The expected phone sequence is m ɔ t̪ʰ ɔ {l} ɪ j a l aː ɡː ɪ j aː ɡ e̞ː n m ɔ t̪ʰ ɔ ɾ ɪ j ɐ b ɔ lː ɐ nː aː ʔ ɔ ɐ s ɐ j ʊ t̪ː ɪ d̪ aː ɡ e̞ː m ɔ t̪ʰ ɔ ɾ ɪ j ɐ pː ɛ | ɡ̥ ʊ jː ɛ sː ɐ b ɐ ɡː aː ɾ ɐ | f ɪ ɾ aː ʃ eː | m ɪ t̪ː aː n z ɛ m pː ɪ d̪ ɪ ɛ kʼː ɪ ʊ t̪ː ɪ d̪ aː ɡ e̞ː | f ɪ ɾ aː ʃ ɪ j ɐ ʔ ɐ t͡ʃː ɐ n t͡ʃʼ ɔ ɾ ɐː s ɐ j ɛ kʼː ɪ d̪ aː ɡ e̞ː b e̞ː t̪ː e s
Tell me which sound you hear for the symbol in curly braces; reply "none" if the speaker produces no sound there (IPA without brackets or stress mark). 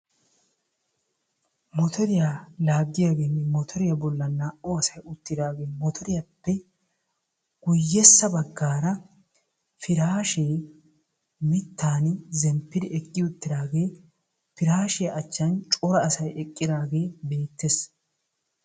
ɾ